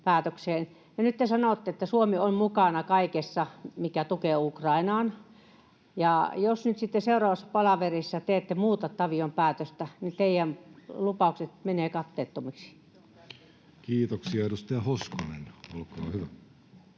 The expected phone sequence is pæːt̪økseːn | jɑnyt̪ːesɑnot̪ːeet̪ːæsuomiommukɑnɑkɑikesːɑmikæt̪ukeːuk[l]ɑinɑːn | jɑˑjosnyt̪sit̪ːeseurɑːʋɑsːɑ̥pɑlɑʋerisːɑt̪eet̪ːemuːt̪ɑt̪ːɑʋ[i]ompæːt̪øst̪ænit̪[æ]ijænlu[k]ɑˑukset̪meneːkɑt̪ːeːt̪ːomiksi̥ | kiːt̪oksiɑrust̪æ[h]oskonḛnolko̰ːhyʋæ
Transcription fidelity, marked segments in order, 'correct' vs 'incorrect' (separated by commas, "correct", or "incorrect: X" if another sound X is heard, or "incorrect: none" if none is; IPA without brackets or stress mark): incorrect: r, correct, incorrect: e, incorrect: p, correct